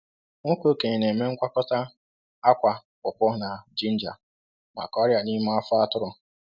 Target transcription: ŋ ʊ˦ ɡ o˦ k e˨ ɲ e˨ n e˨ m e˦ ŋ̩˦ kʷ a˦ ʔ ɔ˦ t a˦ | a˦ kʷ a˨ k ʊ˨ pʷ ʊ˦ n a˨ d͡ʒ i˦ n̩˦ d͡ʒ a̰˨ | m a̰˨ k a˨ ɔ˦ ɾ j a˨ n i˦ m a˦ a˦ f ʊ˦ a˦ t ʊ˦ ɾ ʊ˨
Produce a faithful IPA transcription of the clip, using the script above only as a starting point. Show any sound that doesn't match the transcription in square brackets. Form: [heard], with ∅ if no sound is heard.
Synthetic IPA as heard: ŋ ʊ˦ [k] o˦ k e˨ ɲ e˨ n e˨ m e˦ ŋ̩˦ kʷ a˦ [k] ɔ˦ t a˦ | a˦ kʷ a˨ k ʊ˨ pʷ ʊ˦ n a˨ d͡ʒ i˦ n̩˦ d͡ʒ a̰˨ | m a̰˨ k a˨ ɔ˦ ɾ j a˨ n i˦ m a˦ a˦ f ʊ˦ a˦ t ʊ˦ ɾ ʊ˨